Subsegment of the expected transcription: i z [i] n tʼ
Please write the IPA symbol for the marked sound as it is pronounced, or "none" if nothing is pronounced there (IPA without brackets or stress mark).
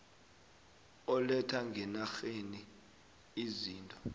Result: iː